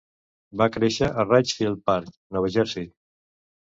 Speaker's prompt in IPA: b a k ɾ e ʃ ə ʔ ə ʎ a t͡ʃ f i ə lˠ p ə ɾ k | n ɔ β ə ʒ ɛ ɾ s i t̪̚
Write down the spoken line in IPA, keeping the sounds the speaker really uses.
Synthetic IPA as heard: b a k ɾ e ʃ ə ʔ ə r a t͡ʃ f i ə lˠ p a ɾ k | n ɔ w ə ʒ ɛ ɾ s i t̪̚